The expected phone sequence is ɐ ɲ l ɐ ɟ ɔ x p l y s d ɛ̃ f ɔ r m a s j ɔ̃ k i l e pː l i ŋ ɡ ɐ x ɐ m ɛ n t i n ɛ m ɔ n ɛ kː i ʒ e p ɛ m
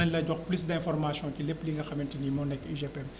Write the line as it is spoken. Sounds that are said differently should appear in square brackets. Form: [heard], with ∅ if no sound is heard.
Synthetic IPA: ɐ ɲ l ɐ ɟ ɔ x p l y s d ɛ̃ f ɔ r m a s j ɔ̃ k i l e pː l i ŋ ɡ ɐ x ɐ m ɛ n t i n [i] m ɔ n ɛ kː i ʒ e p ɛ m